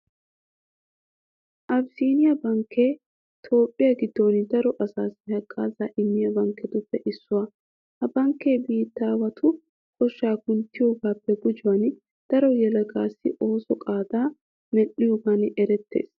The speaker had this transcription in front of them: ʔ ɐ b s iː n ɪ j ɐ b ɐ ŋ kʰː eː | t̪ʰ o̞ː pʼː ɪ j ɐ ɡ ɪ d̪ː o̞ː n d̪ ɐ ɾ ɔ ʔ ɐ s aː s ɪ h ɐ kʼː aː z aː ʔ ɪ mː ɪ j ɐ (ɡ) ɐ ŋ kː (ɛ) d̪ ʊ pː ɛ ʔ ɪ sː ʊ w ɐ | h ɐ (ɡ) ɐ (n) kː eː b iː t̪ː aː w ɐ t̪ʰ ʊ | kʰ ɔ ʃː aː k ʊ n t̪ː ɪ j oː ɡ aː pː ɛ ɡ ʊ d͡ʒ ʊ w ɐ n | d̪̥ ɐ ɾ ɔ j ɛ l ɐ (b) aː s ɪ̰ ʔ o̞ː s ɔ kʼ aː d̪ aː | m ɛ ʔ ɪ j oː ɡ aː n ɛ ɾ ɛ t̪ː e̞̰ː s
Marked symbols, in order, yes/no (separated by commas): no, yes, no, no, no